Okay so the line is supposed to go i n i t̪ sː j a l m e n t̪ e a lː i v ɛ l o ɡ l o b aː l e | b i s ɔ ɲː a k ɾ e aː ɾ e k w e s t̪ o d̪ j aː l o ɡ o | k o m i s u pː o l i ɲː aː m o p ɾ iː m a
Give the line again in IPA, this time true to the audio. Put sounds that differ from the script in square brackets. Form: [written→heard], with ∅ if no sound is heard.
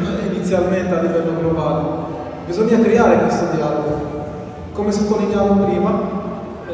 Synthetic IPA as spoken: i n i t̪ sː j a l m e n t̪ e a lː i v ɛ [l→lː] o ɡ l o b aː l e | b i [s→z] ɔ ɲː a k ɾ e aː ɾ e k w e s t̪ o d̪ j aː l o ɡ o | k o m [i→e] s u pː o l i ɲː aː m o p ɾ iː m a